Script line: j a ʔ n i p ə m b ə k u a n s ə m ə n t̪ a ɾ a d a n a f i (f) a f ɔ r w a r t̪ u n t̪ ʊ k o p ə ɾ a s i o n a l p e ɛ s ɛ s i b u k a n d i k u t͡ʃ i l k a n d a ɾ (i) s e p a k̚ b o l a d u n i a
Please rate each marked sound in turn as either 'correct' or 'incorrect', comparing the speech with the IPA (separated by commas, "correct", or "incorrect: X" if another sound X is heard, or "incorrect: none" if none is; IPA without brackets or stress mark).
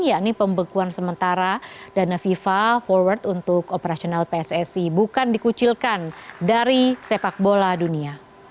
correct, correct